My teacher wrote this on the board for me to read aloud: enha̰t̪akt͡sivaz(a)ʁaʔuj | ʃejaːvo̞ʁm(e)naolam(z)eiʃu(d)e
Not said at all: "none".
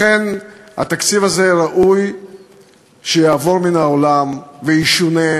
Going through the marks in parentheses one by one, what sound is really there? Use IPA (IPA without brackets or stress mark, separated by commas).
e, i, v, n